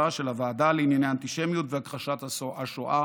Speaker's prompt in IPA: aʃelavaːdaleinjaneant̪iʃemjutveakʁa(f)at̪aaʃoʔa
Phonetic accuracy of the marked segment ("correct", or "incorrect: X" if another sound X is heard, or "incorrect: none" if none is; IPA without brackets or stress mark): incorrect: ʃ